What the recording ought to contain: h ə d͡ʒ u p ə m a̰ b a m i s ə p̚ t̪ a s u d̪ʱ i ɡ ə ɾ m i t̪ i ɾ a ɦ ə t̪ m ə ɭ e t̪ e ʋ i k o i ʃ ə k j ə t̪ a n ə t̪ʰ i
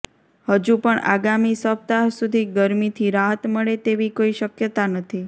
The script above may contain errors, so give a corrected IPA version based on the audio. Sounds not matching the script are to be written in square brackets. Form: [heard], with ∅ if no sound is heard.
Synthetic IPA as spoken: h ə d͡ʒ u p ə [ɳ] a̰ [ɡ] a m i s ə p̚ t̪ a s u d̪ʱ i ɡ ə ɾ m i [t̪ʰ] i ɾ a ɦ ə t̪ m ə ɭ e t̪ e ʋ i k o i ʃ ə k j ə t̪ a n ə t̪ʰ i